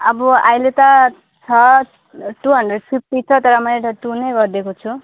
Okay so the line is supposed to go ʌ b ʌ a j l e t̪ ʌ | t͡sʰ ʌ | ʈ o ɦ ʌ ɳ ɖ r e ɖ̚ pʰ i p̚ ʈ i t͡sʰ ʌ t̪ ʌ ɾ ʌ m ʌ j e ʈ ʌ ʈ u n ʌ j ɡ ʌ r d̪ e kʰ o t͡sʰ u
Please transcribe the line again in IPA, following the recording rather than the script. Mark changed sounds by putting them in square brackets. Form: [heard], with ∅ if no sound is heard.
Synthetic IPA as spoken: ʌ b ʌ a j l e t̪ ʌ | t͡sʰ ʌ | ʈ [u] ɦ ʌ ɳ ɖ r e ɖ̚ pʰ i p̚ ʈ i t͡sʰ ʌ t̪ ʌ ɾ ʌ m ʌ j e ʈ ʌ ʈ u n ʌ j ɡ ʌ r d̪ e [k] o t͡sʰ u